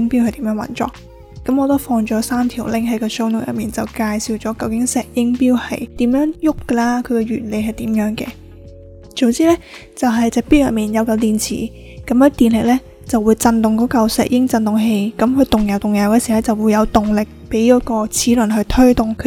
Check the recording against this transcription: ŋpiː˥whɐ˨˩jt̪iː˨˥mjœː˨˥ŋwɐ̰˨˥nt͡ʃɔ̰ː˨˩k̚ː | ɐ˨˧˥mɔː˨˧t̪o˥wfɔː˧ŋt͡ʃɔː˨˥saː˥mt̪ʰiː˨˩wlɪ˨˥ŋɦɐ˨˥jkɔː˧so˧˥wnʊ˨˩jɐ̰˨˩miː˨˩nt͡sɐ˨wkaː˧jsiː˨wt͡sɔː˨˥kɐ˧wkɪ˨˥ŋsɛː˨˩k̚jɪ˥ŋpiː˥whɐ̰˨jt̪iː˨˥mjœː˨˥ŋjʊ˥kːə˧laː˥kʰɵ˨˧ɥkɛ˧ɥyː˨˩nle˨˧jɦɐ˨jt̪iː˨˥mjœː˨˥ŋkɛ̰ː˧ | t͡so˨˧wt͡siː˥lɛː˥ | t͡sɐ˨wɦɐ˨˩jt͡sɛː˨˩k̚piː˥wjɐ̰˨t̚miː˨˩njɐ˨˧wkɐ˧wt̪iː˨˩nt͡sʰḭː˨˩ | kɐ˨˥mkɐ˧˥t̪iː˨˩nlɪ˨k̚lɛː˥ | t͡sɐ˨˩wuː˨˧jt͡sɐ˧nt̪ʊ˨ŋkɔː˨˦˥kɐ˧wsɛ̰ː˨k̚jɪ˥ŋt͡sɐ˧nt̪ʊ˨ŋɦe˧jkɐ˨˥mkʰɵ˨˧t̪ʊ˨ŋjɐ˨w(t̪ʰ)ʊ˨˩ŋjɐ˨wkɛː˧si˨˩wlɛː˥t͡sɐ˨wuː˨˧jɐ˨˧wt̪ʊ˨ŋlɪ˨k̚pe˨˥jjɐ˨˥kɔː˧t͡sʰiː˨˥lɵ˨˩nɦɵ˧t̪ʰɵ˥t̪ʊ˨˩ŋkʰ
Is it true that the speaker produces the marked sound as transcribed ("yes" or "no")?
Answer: no